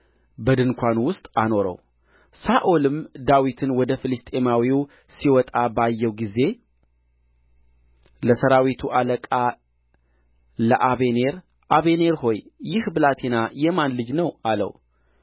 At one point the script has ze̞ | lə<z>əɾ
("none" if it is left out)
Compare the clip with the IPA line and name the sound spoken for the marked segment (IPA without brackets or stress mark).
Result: s